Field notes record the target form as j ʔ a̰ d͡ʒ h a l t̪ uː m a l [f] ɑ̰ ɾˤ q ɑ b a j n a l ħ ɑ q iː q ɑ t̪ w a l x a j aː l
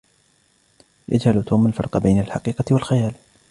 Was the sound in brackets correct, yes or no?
yes